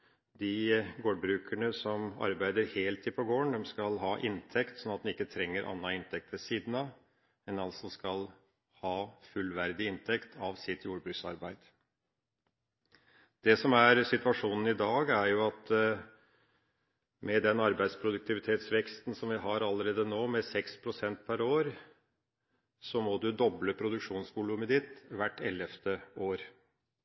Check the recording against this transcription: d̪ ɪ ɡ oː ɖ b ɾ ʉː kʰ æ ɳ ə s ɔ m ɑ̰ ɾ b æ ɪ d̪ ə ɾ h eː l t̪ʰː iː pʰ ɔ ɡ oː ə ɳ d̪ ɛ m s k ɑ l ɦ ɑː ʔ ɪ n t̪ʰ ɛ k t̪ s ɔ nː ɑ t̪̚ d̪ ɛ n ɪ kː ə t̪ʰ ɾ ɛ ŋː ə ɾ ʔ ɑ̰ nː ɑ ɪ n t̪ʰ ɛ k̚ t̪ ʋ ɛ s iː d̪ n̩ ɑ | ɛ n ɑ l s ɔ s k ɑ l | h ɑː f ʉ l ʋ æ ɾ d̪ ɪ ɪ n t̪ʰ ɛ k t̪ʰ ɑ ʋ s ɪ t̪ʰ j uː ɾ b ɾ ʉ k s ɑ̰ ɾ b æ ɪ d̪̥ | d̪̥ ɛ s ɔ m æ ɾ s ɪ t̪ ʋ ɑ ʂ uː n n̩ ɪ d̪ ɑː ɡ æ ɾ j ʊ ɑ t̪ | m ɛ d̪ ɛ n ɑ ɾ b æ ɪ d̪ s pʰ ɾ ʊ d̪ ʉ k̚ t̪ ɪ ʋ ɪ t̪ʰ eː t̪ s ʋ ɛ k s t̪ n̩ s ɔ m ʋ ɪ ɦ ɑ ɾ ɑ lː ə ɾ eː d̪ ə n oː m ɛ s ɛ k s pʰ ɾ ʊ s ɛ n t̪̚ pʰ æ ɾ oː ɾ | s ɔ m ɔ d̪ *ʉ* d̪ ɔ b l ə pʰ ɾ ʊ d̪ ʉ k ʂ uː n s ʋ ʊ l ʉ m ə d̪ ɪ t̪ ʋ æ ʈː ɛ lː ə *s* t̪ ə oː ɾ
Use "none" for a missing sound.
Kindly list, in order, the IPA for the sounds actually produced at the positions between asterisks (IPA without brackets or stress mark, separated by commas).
ʉ, f